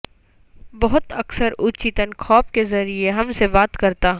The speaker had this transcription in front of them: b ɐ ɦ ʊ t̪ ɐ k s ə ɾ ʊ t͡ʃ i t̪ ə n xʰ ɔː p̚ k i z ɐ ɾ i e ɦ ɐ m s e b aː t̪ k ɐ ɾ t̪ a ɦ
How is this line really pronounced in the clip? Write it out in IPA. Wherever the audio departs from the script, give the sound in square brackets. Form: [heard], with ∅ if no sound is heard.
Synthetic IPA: b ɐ ɦ ʊ t̪ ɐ k s ə ɾ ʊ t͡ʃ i t̪ ə n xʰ ɔː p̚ k [e] z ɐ ɾ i e ɦ ɐ m s e b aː t̪ k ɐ ɾ t̪ a ɦ